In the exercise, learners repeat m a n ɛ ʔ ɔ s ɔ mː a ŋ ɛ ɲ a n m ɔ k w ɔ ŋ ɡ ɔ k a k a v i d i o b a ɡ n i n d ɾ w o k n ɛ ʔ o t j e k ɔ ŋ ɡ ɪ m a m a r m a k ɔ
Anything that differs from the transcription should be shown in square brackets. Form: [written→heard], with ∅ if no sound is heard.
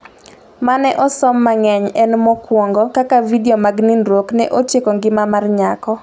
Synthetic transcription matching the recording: m a n ɛ ʔ ɔ s ɔ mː a ŋ ɛ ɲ [a→ɛ] n m ɔ k w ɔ ŋ ɡ ɔ k a k a v i d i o [b→m] a ɡ n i n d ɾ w o k n ɛ ʔ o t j e k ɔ ŋ ɡ ɪ m a m a r [m→ɲ] a k ɔ

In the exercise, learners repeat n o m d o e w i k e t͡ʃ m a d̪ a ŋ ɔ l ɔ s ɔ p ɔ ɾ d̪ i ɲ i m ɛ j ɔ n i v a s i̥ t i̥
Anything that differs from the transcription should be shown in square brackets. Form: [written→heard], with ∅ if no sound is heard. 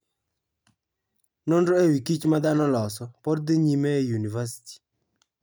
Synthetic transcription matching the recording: n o [m→n] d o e w i k [e→i] t͡ʃ m a d̪ a [ŋ→n] ɔ l ɔ s ɔ p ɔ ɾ d̪ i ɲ i m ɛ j [ɔ→u] n i v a s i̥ t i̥

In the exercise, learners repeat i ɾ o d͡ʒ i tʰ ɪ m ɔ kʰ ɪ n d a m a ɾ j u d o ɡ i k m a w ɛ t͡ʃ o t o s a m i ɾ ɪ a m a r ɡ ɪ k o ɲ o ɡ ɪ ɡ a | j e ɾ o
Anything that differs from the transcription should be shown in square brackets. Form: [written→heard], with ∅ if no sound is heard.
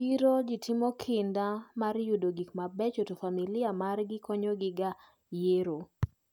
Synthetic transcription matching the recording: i ɾ o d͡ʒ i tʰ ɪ m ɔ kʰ ɪ n d a m a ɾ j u d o ɡ i k m a [w→b] ɛ t͡ʃ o t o [s→f] a m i [ɾ→l] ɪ a m a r ɡ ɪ k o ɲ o ɡ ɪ ɡ a | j e ɾ o

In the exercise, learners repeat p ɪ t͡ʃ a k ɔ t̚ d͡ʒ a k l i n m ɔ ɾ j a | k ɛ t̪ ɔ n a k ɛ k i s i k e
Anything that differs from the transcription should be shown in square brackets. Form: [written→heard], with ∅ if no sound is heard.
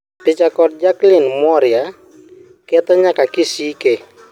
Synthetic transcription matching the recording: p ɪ t͡ʃ a k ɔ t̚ d͡ʒ a k l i n m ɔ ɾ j a | k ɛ t̪ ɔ [n→ɲ] a k [ɛ→a] k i s i k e

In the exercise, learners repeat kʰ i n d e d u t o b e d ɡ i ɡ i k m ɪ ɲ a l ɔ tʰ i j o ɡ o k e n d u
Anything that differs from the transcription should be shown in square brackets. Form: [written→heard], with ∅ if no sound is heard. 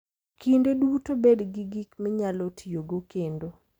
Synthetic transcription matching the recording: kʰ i n d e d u t o b e d ɡ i ɡ i k m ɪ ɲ a l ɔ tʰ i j o ɡ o k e n d [u→o]

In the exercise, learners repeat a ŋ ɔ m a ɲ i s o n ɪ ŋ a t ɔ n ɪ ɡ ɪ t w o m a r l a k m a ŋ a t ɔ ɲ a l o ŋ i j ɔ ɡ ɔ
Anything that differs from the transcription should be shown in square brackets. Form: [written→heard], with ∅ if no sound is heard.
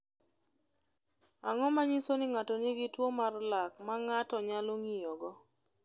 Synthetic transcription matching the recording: a ŋ ɔ m a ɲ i s o n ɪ ŋ a t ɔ n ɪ ɡ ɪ t w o m a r l a k m a ŋ a t ɔ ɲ a l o ŋ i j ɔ ɡ ɔ

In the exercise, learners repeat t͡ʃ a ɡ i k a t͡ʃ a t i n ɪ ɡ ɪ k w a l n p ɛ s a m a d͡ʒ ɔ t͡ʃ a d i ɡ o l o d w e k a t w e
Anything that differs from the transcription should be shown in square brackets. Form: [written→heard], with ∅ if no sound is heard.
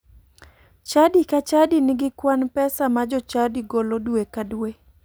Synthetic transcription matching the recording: t͡ʃ a [ɡ→d] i k a t͡ʃ a [t→d] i n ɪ ɡ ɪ k w a [l→∅] n p ɛ s a m a d͡ʒ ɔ t͡ʃ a d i ɡ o l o d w e k a [t→d] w e

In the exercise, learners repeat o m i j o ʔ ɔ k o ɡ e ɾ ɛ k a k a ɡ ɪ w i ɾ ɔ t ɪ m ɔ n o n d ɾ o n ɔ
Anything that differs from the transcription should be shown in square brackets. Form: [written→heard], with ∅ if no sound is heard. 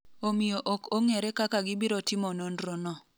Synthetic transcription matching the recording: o m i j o ʔ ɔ k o [ɡ→ŋ] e ɾ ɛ k a k a ɡ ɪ [w→b] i ɾ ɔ t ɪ m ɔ n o n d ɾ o n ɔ

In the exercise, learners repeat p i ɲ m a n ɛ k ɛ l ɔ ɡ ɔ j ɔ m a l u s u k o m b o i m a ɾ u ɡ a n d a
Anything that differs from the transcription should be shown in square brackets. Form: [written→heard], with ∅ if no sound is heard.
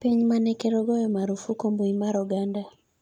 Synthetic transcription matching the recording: p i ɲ m a n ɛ k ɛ [l→ɾ] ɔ ɡ ɔ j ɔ m a [l→ɾ] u [s→f] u k o m b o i m a ɾ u ɡ a n d a

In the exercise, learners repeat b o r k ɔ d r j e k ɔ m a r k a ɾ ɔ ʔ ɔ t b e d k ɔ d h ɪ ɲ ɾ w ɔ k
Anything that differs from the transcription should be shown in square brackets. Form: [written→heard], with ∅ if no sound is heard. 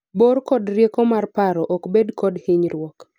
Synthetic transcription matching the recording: b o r k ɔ d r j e k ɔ m a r [k→p] a ɾ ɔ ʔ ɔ [t→k] b e d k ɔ d h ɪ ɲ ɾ w ɔ k

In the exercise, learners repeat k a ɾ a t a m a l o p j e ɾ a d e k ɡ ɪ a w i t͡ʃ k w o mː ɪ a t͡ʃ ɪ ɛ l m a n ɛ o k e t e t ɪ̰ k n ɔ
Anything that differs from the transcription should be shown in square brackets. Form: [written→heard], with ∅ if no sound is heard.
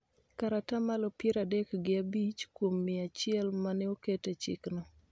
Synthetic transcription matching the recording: k a ɾ a t a m a l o p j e ɾ a d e k ɡ ɪ a [w→b] i t͡ʃ k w o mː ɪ a t͡ʃ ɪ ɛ l m a n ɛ o k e t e [t→t͡ʃ] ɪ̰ k n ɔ

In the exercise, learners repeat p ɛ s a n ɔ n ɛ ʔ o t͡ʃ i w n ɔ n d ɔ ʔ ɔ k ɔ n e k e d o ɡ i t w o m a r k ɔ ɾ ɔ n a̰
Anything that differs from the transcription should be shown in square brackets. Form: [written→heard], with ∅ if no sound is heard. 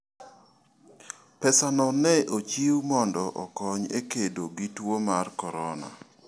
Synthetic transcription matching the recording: p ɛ s a n ɔ n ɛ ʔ o t͡ʃ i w [n→m] ɔ n d ɔ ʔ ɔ k ɔ [n→ɲ] e k e d o ɡ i t w o m a r k ɔ ɾ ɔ n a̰

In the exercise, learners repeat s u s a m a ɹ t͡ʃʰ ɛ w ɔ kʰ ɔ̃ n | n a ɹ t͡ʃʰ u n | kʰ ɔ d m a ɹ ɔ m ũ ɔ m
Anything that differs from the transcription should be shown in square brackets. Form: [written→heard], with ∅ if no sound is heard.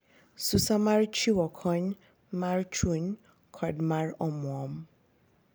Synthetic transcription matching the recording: s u s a m a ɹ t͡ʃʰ [ɛ→i] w ɔ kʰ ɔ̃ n | [n→m] a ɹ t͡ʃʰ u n | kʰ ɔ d m a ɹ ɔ m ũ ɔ m

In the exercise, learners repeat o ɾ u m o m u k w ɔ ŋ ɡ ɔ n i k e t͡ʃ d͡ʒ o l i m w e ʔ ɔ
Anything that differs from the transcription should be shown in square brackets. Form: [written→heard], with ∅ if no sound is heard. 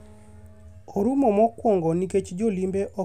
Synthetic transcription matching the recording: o ɾ u m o m [u→ɔ] k w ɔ ŋ ɡ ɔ n i k e t͡ʃ d͡ʒ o l i m [w→b] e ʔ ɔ

